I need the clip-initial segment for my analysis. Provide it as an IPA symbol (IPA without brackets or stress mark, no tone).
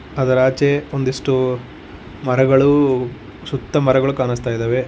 ɐ